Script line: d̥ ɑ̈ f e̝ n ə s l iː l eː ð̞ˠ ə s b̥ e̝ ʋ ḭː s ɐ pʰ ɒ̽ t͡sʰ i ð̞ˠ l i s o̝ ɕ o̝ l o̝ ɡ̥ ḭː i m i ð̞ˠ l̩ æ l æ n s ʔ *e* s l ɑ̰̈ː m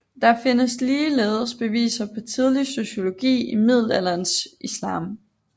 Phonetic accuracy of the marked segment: incorrect: i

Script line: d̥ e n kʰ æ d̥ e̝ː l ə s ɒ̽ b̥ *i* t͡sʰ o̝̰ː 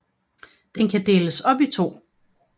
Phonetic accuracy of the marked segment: correct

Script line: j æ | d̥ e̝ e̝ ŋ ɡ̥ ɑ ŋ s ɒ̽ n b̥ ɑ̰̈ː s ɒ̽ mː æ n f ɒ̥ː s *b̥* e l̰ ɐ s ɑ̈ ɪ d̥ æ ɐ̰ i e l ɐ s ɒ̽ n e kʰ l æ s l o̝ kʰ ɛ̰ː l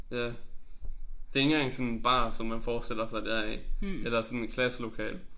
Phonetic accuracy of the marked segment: incorrect: d̥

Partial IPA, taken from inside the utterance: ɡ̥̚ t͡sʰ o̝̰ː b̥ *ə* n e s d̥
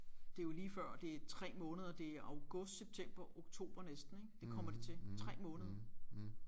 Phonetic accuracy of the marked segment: incorrect: ɐ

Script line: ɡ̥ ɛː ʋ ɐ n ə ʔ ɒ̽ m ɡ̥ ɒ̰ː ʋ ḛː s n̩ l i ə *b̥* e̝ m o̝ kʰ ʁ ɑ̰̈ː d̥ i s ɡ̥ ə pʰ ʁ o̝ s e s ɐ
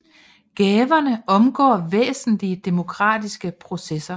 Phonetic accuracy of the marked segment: incorrect: d̥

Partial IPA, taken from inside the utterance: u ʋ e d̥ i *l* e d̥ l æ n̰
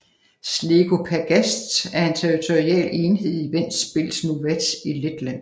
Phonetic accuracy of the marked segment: correct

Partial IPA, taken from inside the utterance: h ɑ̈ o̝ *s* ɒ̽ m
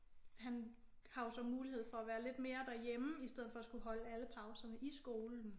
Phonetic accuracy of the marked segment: correct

